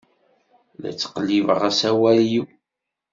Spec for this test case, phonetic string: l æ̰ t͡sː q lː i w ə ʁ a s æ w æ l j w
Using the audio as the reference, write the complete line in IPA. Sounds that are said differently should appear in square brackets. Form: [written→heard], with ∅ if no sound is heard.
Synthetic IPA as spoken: l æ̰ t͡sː q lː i [w→v] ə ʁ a s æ w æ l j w